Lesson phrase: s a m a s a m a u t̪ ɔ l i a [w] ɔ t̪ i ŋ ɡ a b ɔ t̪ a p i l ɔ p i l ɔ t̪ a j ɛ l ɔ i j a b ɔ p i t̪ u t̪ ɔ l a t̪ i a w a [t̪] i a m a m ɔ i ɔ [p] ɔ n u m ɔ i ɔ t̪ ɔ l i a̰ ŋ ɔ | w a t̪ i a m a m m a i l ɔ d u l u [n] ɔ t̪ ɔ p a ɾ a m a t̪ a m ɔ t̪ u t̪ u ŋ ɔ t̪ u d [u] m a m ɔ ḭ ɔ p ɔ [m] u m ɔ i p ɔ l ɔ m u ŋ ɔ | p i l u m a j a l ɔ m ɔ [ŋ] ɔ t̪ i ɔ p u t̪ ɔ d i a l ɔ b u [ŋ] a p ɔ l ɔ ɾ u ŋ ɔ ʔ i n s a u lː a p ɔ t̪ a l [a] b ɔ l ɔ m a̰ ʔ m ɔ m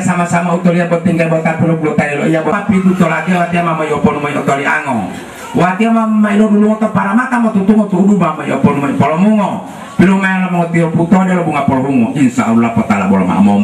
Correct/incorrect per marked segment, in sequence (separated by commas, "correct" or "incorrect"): incorrect, correct, correct, incorrect, correct, incorrect, correct, correct, correct